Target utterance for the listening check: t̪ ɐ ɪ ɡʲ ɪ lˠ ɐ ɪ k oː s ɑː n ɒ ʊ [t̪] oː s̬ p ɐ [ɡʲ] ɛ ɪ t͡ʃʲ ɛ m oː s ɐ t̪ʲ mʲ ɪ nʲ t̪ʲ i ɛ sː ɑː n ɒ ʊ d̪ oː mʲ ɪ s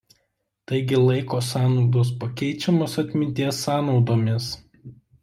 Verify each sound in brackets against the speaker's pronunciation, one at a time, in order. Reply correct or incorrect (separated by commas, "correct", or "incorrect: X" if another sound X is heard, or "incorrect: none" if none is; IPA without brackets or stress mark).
incorrect: d̪, incorrect: kʲ